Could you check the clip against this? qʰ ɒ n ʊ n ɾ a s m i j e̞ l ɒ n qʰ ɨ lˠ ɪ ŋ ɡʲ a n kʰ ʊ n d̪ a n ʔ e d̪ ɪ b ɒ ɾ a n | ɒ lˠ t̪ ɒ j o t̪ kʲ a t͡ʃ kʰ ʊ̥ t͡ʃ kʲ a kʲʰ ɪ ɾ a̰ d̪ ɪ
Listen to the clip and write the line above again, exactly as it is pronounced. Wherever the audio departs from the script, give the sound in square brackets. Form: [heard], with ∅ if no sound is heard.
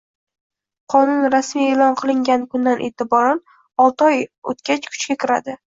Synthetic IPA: qʰ ɒ n ʊ n ɾ a s m i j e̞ l ɒ n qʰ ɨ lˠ ɪ ŋ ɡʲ a n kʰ ʊ n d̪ a n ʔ e [t̪] ɪ b ɒ ɾ a n | ɒ lˠ t̪ ɒ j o t̪ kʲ a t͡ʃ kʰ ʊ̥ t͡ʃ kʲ a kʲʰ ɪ ɾ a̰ d̪ ɪ